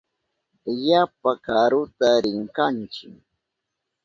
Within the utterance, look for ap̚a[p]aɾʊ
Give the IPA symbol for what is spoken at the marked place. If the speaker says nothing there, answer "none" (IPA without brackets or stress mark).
k